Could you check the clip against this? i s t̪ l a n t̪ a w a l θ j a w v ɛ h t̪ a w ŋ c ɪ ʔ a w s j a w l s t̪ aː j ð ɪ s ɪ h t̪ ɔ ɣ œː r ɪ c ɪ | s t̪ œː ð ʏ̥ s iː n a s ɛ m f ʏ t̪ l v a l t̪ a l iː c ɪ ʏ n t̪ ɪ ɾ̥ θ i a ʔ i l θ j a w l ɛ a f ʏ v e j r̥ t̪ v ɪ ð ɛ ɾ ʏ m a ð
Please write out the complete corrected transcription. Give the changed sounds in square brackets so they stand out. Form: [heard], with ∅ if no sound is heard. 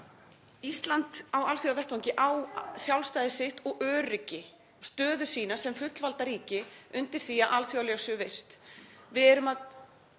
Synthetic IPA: i s t̪ l a n t̪ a w a l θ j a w v ɛ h t̪ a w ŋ c ɪ ʔ a w s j a w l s t̪ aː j ð ɪ s ɪ h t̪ ɔ ɣ œː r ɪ c ɪ | s t̪ œː ð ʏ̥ s iː n a s ɛ m f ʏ t̪ l v a l t̪ a [ɾ] iː c ɪ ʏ n t̪ ɪ ɾ̥ θ i a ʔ [a] l θ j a w l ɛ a [s] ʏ v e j r̥ t̪ v ɪ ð ɛ ɾ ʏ m a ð